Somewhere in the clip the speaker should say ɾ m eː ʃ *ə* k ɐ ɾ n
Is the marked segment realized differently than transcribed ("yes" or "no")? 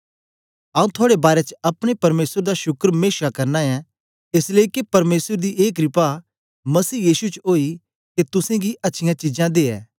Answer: yes